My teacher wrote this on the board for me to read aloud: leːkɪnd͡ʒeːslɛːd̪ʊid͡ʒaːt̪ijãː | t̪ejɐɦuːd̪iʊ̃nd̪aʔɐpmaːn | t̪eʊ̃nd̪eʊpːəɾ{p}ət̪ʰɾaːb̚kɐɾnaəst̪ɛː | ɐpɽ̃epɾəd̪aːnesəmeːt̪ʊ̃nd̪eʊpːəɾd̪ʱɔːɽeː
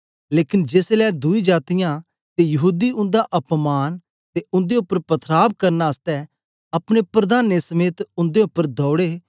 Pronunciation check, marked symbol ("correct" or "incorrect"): correct